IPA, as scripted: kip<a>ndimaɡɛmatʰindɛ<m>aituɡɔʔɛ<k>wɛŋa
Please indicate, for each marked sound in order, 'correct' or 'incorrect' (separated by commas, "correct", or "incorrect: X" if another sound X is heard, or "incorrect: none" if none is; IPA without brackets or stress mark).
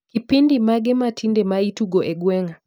incorrect: i, correct, incorrect: ɡ